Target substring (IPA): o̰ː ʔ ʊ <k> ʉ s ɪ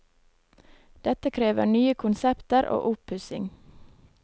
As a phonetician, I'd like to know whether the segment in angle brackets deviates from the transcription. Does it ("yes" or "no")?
yes